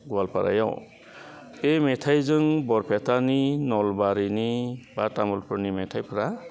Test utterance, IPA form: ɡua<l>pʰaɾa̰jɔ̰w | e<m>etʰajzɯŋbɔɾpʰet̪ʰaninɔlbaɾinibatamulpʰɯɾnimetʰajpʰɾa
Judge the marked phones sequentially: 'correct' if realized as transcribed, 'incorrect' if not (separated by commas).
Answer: correct, correct